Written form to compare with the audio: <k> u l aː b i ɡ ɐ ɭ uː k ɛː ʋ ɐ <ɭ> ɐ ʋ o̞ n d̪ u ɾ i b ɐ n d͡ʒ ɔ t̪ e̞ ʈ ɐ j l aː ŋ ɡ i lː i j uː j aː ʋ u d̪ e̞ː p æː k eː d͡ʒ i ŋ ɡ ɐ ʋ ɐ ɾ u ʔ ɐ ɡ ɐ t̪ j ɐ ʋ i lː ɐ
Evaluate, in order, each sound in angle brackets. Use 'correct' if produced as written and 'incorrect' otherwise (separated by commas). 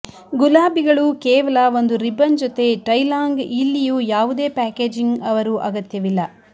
incorrect, incorrect